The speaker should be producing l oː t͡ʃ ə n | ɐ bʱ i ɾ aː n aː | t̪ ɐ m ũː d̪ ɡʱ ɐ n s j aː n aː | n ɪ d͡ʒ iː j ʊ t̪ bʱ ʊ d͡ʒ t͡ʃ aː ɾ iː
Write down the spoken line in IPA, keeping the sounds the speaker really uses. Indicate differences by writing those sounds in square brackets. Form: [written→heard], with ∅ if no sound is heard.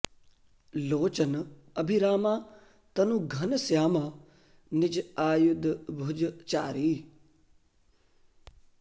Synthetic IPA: l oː t͡ʃ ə n | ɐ bʱ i ɾ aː [n→m] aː | t̪ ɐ [m→n] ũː [d̪→∅] ɡʱ ɐ n s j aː [n→m] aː | n ɪ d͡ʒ [iː→aː] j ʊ [t̪→d̪] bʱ ʊ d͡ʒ t͡ʃ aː ɾ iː